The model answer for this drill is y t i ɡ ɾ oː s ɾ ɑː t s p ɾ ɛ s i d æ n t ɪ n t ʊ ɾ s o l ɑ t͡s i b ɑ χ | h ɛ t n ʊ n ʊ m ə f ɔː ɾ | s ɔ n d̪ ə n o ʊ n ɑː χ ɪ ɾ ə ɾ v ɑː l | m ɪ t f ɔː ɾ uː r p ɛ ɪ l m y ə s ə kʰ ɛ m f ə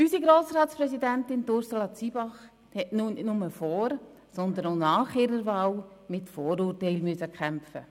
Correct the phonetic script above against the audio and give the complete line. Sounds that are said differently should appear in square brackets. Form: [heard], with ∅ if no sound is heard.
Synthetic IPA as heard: y [s] i ɡ ɾ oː s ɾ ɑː t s p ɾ ɛ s i d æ n t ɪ n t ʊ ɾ s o l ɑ t͡s i b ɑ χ | h ɛ t n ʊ n ʊ m ə f ɔː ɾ | s ɔ n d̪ ə n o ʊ n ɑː χ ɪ ɾ ə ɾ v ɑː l | m ɪ t f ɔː ɾ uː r [t] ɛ ɪ l m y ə s ə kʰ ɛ m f ə